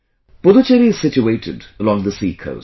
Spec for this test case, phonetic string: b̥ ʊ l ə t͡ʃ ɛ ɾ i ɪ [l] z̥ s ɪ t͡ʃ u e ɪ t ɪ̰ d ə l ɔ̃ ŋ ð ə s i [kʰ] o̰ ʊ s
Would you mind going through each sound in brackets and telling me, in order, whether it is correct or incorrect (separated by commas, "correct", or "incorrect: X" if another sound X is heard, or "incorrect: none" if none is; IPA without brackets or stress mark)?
incorrect: none, correct